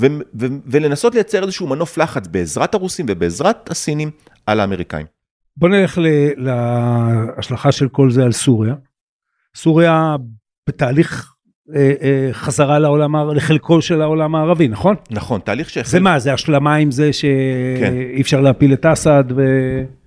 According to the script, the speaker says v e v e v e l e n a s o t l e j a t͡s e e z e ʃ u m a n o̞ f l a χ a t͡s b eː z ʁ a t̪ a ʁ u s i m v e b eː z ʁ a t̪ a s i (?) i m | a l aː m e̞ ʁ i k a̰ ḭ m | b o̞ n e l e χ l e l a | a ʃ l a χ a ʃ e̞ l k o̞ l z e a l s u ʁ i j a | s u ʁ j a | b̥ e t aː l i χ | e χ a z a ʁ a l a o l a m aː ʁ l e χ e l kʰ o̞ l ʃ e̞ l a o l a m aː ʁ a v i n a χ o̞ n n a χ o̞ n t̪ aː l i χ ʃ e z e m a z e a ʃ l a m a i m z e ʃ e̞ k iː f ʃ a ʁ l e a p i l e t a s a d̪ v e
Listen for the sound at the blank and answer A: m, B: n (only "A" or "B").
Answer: B